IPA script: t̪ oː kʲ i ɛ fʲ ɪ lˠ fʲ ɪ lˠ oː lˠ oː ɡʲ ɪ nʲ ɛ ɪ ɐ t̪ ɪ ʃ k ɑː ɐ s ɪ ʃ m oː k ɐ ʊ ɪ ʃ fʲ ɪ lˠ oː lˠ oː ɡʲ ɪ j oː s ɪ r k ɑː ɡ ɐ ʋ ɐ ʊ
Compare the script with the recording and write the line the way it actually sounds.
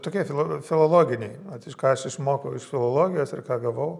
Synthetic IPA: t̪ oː kʲ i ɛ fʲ ɪ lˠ fʲ ɪ lˠ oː lˠ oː ɡʲ ɪ nʲ ɛ ɪ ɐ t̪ ɪ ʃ k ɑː ɐ ʃ ɪ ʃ m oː k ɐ ʊ ɪ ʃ fʲ ɪ lˠ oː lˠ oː ɡʲ ɪ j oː s ɪ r k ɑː ɡ ɐ ʋ ɐ ʊ

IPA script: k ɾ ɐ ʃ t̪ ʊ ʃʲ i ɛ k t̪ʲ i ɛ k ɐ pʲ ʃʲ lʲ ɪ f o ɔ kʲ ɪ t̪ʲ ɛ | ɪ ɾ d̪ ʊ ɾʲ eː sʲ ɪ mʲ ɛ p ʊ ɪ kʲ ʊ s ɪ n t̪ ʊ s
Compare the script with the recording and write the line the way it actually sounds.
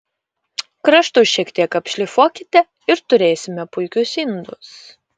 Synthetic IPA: k ɾ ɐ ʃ t̪ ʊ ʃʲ i ɛ k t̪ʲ i ɛ k ɐ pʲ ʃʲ lʲ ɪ f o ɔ kʲ ɪ t̪ʲ ɛ | ɪ ɾ t̪ ʊ ɾʲ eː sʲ ɪ mʲ ɛ p ʊ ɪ kʲ ʊ s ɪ n d̪ ʊ s

